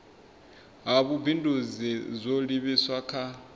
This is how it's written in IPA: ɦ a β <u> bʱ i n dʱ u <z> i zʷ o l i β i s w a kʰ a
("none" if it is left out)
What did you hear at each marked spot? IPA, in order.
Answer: u, z

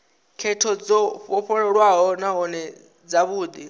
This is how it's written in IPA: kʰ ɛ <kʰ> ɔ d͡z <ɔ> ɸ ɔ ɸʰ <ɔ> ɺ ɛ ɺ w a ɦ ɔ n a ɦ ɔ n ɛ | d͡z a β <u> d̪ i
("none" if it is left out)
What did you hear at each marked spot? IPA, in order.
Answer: tʰ, ɔ, ɔ, uː

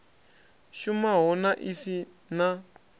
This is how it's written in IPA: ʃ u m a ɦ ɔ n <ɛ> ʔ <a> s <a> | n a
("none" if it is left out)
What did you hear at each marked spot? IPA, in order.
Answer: a, i, i

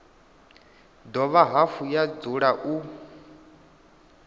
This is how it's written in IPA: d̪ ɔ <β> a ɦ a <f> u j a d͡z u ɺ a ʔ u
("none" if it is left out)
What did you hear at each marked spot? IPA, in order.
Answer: β, f

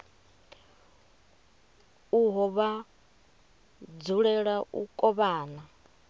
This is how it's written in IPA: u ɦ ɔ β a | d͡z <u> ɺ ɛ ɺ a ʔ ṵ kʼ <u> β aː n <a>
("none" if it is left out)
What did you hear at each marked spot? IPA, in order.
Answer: u, ɔ, a

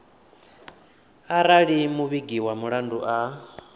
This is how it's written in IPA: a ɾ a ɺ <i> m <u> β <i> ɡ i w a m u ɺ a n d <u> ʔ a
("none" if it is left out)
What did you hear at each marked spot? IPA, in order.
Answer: i, u, i, u

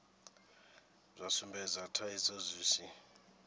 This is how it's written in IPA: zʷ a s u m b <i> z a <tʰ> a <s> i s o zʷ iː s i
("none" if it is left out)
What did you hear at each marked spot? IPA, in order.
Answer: ɛ, tʰ, none

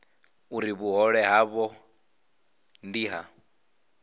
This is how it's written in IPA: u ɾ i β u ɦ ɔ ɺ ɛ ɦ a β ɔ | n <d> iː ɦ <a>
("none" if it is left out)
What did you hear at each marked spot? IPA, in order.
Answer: d, a

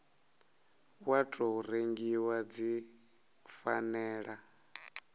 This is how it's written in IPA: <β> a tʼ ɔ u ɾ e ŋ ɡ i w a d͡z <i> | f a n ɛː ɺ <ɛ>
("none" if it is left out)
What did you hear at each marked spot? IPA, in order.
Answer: w, i, a

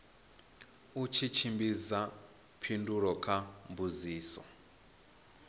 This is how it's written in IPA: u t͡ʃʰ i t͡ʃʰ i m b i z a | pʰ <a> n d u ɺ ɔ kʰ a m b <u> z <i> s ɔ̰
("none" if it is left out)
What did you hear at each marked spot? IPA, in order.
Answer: i, u, iː

